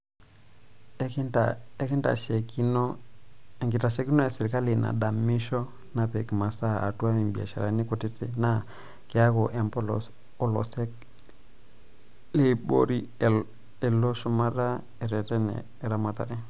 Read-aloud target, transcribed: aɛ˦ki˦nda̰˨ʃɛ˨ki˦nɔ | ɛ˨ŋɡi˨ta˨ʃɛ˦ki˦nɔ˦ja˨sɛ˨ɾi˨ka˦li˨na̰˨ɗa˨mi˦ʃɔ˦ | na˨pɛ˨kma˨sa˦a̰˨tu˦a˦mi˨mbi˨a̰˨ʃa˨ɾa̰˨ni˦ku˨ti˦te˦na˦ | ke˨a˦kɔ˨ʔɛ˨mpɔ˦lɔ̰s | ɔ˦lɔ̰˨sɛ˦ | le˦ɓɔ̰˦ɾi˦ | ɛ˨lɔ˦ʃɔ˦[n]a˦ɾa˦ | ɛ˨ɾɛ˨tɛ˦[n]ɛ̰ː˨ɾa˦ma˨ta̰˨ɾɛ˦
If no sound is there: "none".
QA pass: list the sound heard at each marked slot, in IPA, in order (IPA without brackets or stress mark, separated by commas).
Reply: m, n